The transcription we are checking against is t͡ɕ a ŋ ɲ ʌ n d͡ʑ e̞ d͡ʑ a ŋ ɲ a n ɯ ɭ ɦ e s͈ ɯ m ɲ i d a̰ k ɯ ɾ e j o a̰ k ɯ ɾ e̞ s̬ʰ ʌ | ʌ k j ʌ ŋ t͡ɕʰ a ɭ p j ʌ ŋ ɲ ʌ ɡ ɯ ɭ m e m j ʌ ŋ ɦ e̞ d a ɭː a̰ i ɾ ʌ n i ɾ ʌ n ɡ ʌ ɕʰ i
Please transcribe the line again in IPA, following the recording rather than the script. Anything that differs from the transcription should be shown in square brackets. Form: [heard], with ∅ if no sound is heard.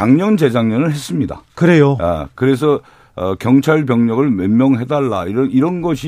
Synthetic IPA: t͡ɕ a ŋ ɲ ʌ n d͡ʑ e̞ d͡ʑ a ŋ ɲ [ʌ] n ɯ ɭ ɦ e s͈ ɯ m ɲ i d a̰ k ɯ ɾ e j o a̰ k ɯ ɾ e̞ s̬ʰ ʌ | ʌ k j ʌ ŋ t͡ɕʰ a ɭ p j ʌ ŋ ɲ ʌ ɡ ɯ ɭ m e m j ʌ ŋ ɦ e̞ d a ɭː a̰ i ɾ ʌ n i ɾ ʌ n ɡ ʌ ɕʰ i